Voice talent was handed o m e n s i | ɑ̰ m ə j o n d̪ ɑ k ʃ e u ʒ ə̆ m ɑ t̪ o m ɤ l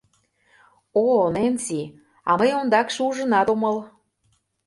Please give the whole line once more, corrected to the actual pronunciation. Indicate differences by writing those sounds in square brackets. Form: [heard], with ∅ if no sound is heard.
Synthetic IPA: o [n] e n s i | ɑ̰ m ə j o n d̪ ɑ k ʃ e u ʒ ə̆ [n] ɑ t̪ o m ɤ l